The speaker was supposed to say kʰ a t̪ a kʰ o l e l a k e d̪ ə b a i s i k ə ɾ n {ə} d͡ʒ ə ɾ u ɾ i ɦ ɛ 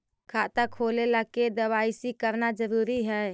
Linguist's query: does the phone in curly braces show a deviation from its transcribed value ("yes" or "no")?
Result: yes